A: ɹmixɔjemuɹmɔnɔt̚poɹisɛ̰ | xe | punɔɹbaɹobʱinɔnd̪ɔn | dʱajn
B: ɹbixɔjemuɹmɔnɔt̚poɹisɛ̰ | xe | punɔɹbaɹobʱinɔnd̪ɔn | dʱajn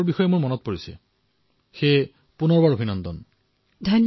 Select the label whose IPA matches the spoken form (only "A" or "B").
B